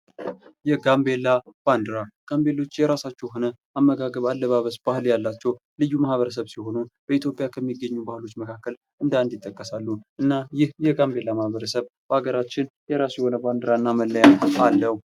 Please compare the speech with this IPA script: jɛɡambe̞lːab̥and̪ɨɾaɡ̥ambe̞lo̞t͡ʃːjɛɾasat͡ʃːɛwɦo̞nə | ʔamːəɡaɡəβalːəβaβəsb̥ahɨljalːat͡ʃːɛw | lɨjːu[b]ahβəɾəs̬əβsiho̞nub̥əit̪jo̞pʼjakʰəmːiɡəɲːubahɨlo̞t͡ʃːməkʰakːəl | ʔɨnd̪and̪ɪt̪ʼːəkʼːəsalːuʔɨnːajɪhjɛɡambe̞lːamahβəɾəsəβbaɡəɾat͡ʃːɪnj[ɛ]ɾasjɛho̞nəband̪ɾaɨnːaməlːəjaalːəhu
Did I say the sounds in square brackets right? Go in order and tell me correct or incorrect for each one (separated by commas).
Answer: incorrect, correct